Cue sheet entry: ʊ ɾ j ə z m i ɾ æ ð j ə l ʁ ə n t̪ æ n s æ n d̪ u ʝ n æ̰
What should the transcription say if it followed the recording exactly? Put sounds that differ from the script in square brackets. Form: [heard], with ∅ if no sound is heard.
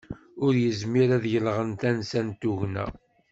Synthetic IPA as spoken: ʊ ɾ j ə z m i ɾ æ ð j ə l ʁ ə n t̪ æ n s æ n [t̪] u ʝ n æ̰